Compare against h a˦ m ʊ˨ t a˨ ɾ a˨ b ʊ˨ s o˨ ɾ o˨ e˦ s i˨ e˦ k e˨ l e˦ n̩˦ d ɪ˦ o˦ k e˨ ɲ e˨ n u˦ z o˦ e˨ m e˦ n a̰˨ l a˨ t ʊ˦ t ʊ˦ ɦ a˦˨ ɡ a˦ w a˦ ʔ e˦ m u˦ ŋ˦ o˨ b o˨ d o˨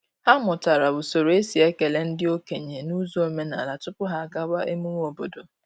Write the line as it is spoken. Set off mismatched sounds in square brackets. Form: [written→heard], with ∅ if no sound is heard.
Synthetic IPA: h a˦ m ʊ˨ t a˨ ɾ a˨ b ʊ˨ s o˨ ɾ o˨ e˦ s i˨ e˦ k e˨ l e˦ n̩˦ d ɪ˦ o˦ k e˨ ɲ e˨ n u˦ z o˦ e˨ m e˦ n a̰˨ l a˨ t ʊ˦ [t→p] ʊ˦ ɦ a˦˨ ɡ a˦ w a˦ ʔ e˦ m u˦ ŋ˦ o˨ b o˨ d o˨